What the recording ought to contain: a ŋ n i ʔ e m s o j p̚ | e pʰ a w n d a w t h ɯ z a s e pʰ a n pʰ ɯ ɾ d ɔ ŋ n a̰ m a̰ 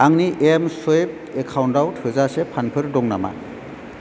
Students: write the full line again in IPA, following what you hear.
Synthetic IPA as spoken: a ŋ n i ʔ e m s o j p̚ | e kʰ a w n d a w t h ɯ z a s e pʰ a n pʰ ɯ ɾ d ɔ ŋ n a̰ m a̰